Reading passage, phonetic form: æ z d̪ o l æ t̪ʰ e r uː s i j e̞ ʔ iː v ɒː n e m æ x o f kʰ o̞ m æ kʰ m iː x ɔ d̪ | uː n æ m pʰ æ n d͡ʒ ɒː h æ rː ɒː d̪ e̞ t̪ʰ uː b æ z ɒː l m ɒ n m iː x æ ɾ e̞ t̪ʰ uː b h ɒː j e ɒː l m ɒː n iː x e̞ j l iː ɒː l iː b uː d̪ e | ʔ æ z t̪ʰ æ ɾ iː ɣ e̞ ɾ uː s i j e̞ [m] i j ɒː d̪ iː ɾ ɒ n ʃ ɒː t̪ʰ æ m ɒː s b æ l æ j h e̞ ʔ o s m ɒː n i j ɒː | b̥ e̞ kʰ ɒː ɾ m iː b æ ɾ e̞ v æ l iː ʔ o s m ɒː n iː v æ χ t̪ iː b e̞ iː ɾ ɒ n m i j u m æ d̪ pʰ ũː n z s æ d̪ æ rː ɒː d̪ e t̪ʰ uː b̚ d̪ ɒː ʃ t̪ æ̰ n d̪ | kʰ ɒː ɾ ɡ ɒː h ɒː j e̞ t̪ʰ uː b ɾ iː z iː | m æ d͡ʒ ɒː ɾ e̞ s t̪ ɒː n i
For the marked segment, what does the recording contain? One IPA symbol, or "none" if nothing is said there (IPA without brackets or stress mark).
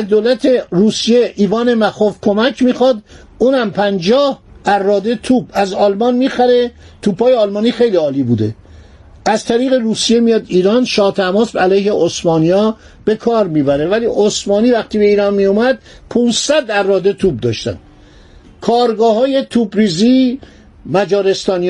m